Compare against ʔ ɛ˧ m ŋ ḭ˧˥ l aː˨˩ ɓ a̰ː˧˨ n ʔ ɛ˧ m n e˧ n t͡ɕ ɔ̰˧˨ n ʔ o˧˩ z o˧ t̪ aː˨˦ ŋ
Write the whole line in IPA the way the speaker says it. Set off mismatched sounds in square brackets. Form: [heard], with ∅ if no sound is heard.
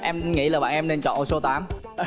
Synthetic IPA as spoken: ʔ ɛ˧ m ŋ ḭ˧˥ l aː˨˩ ɓ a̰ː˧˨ n ʔ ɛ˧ m n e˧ n t͡ɕ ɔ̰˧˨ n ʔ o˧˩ [s] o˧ t̪ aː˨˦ [m]